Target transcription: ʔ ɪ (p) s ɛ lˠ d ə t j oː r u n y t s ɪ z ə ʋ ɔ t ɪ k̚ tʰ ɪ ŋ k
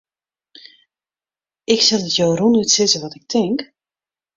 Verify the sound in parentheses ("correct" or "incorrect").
incorrect